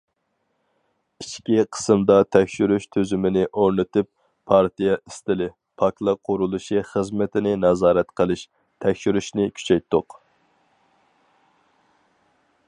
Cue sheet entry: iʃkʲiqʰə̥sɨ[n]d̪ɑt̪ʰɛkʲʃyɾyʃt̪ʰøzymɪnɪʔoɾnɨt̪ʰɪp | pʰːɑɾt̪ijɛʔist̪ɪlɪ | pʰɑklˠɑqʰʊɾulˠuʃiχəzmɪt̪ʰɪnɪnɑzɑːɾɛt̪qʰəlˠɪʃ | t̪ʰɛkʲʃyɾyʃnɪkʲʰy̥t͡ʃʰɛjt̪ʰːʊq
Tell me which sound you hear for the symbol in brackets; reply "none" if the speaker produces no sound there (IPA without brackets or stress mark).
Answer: m